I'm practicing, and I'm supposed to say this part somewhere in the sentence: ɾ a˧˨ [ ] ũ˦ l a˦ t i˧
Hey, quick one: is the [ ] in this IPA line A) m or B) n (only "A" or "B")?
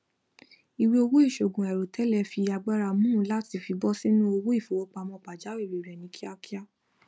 A